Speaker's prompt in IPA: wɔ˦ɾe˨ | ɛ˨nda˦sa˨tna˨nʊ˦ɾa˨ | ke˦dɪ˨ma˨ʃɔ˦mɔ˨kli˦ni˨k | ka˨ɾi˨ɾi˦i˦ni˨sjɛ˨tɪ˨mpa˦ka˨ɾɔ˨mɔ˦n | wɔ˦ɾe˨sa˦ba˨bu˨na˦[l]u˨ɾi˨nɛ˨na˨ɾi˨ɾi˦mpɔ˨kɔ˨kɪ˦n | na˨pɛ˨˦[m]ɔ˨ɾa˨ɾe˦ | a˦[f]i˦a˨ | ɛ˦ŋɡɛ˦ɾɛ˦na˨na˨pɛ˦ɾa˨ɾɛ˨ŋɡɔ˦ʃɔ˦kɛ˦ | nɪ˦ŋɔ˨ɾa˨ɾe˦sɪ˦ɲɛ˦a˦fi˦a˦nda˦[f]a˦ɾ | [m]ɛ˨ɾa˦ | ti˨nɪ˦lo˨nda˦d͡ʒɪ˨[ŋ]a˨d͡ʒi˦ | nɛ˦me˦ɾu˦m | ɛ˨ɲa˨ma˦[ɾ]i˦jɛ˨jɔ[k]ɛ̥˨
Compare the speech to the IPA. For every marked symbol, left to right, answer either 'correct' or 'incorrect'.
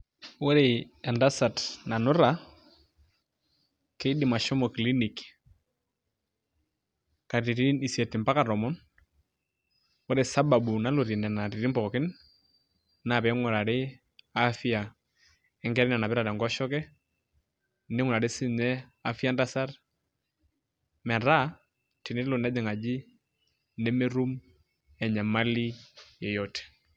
correct, incorrect, correct, incorrect, correct, correct, incorrect, incorrect

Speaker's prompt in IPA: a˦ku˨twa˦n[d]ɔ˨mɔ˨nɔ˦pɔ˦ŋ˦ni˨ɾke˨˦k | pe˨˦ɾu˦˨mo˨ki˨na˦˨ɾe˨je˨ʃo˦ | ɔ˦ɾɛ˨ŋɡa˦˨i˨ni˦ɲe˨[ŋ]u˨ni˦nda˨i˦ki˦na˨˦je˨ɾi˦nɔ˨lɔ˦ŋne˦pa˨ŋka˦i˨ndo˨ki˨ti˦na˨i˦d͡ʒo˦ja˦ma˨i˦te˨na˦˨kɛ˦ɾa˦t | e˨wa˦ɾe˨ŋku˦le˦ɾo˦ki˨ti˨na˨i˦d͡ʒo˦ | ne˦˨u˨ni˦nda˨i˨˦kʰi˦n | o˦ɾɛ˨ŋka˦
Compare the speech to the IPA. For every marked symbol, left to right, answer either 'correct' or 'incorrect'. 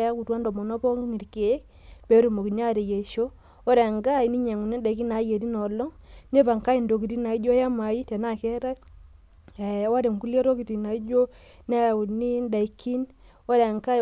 correct, correct

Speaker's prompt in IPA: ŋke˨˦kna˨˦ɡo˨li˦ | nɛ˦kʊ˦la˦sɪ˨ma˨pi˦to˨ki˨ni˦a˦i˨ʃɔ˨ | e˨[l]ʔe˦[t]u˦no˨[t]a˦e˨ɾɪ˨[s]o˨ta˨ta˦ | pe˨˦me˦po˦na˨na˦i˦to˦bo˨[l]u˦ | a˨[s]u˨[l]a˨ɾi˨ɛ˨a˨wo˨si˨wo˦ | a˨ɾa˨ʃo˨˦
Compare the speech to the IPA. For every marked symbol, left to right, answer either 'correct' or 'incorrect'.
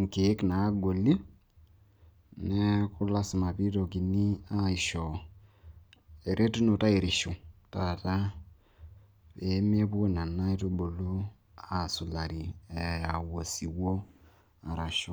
incorrect, correct, correct, incorrect, correct, correct, correct

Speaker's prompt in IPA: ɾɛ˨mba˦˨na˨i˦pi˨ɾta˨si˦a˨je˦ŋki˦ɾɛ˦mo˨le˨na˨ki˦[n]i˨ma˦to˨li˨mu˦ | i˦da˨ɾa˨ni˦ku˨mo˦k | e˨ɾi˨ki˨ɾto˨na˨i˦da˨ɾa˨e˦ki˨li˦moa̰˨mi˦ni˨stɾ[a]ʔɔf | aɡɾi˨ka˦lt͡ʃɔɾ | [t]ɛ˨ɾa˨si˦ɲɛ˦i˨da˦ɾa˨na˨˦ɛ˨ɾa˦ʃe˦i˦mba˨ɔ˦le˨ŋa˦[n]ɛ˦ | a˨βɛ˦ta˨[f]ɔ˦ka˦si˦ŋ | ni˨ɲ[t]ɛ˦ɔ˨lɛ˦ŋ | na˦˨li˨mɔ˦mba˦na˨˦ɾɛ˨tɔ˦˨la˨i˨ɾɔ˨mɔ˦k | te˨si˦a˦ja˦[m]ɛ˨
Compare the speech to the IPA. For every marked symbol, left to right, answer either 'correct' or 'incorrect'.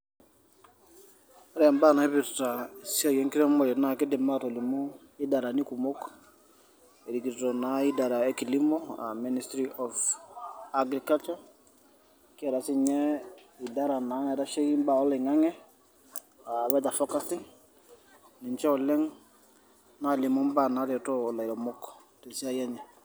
incorrect, incorrect, incorrect, incorrect, correct, incorrect, incorrect

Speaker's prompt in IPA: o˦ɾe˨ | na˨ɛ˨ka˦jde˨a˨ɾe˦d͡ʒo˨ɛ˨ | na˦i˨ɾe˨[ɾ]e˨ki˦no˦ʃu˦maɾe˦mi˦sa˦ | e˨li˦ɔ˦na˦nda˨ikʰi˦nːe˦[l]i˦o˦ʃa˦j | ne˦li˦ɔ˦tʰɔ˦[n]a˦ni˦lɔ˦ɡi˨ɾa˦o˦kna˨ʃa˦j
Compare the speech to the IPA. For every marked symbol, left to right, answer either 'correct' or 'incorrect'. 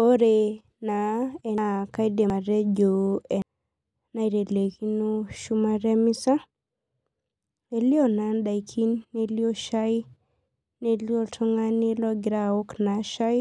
incorrect, correct, incorrect

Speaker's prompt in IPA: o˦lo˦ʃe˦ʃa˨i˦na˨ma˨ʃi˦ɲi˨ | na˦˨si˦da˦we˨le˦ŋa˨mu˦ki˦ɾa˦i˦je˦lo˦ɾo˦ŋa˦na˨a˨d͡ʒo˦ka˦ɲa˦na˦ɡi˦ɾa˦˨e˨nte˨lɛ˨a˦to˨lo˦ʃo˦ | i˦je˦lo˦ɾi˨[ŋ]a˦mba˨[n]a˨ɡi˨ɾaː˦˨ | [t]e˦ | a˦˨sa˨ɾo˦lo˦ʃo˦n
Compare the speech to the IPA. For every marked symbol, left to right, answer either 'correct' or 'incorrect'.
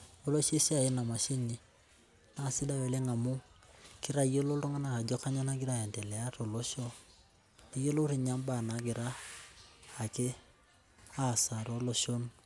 incorrect, correct, incorrect

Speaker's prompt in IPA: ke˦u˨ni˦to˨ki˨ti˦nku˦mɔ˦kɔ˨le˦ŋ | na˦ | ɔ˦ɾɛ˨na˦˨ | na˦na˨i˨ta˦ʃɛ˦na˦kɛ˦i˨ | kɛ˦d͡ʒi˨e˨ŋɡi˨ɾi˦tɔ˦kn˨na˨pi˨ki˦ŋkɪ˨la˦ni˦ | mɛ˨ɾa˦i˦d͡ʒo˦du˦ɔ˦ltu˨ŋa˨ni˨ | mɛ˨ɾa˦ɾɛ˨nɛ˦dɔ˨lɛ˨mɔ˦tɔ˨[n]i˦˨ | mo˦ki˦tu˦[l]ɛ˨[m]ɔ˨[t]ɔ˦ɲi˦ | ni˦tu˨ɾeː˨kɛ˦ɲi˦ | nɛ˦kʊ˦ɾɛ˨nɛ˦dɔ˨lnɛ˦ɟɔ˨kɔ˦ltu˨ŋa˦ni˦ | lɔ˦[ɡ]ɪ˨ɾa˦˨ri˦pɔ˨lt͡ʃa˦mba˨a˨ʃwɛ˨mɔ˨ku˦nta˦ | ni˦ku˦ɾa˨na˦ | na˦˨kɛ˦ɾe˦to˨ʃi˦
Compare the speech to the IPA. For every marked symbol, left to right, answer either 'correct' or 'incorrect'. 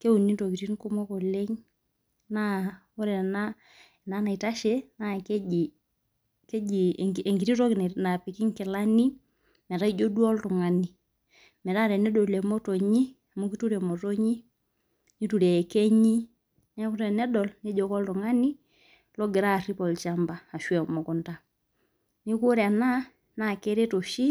incorrect, incorrect, correct, correct, correct

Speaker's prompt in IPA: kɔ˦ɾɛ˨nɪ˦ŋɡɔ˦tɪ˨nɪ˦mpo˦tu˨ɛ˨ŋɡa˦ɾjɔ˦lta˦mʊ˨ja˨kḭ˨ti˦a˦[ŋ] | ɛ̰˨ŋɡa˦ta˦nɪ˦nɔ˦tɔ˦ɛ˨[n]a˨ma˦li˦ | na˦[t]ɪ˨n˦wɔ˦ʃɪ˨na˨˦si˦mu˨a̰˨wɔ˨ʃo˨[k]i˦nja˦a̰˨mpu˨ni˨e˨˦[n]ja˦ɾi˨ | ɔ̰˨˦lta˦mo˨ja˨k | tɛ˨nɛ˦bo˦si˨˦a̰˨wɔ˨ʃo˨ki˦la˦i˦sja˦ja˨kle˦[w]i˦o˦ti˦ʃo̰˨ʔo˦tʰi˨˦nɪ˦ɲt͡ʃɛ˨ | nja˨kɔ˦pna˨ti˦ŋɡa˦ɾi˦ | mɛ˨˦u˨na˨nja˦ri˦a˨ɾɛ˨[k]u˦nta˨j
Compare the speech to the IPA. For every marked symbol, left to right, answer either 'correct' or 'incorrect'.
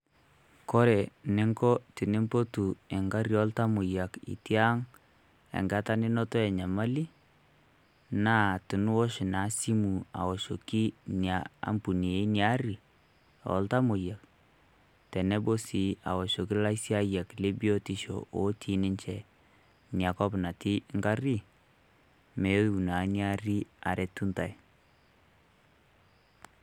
correct, incorrect, correct, correct, correct, incorrect, incorrect

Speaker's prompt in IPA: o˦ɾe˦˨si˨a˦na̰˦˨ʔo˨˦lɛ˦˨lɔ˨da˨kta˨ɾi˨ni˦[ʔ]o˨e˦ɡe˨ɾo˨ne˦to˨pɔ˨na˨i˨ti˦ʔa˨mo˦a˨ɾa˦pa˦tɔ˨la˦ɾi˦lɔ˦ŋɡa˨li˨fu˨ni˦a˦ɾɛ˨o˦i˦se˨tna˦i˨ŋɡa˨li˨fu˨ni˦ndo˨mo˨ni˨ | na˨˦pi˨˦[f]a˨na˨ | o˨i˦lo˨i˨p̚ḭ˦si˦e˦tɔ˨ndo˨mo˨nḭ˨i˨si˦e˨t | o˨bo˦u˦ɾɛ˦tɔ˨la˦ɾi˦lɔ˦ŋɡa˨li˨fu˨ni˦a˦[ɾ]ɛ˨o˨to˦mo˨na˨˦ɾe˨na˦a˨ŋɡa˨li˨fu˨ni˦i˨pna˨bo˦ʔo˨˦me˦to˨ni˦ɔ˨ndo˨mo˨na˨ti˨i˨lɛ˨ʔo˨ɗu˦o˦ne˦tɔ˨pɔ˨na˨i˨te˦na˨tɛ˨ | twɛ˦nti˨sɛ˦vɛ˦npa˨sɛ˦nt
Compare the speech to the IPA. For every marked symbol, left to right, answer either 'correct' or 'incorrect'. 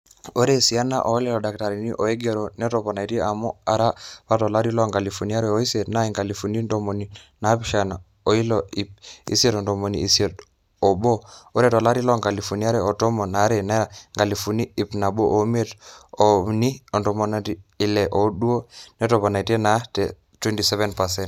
correct, incorrect, correct

